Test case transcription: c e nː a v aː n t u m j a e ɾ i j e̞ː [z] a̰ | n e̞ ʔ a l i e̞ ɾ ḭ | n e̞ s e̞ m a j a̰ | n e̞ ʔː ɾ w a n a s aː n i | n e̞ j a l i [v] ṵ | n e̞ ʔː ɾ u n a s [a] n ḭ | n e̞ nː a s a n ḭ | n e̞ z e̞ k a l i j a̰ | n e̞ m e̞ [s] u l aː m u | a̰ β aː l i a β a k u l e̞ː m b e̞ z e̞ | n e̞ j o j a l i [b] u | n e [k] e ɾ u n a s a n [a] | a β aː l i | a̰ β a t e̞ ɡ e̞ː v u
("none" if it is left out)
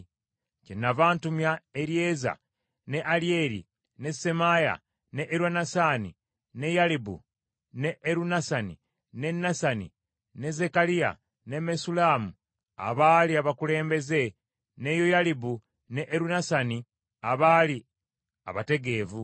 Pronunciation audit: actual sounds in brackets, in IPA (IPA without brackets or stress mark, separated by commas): z, b, a, s, b, ʔ, i